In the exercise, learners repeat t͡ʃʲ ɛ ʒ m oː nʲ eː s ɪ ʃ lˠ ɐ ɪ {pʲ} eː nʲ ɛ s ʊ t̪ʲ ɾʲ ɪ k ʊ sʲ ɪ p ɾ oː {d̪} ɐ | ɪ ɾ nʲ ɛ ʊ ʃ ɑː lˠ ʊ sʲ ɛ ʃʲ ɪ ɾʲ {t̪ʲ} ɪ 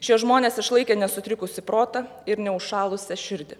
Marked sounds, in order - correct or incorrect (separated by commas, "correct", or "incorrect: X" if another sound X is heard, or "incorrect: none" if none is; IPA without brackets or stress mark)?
incorrect: kʲ, incorrect: t̪, incorrect: d̪ʲ